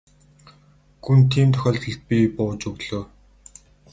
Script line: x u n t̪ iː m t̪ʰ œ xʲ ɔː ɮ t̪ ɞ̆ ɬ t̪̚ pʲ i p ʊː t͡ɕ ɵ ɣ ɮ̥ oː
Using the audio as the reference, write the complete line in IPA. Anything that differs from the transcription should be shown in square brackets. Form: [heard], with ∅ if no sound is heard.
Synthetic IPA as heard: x u n [t̪ʰ] iː m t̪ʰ œ xʲ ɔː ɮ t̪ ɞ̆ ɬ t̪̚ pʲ i p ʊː t͡ɕ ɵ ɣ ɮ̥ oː